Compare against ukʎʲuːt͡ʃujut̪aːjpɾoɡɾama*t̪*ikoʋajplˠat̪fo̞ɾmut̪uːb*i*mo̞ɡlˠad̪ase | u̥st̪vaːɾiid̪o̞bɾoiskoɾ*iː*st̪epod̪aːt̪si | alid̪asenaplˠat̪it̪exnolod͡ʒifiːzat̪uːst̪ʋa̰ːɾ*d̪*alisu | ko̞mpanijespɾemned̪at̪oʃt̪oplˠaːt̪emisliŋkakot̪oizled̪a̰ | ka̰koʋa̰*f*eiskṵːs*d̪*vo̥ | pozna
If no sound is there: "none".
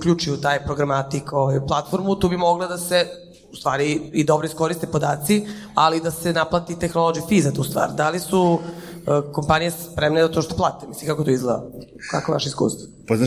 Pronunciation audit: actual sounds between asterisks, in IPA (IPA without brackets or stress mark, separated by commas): t̪, i, i, d̪, ʃ, t̪